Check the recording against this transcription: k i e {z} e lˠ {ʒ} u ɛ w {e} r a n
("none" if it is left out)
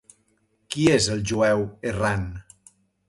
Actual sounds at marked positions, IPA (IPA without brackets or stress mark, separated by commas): z, ʒ, e